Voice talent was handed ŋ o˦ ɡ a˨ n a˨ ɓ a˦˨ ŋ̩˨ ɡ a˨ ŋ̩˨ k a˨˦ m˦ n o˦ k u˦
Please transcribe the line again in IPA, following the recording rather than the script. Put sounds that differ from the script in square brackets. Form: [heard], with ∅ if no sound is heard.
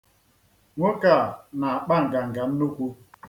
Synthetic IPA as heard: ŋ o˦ [k] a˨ n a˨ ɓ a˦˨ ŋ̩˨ ɡ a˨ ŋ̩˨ [ɡ] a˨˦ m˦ n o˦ k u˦